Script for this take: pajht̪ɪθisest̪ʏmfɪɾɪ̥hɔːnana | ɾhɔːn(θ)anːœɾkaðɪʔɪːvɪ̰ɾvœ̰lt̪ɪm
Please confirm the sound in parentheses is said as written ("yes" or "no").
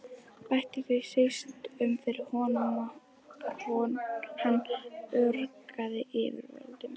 no